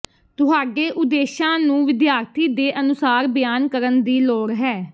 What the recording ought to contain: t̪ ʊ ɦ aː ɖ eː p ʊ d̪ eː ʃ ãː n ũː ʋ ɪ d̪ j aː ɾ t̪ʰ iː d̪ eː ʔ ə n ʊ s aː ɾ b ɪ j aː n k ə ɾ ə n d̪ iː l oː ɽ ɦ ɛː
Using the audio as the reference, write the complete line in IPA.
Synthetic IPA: t̪ ʊ ɦ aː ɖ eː ʔ ʊ d̪ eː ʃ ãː n ũː ʋ ɪ d̪ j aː ɾ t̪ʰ iː d̪ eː ʔ ə n ʊ s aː ɾ b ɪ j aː n k ə ɾ ə n d̪ iː l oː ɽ ɦ ɛː